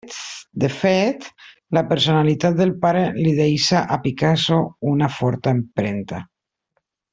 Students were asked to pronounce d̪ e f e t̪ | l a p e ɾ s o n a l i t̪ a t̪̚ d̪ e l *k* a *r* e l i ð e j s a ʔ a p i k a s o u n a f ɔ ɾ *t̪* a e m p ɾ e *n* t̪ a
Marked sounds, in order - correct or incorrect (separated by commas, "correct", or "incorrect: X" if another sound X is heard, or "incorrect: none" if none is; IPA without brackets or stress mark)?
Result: incorrect: p, incorrect: ɾ, correct, correct